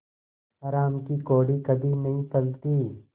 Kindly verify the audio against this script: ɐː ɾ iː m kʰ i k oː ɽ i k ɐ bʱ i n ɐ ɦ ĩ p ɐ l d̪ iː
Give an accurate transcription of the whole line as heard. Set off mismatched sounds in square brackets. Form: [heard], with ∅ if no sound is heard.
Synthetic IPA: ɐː ɾ [aː] m [k] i k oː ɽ i k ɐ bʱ i n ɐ ɦ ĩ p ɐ l [t̪] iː